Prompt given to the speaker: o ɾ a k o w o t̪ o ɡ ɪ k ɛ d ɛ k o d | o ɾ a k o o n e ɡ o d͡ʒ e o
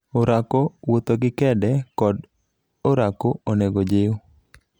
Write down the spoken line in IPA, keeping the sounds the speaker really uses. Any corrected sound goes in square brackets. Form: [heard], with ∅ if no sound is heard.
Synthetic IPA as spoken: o ɾ a k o w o t̪ o ɡ ɪ k ɛ d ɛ k [ɔ] d | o ɾ a k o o n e ɡ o d͡ʒ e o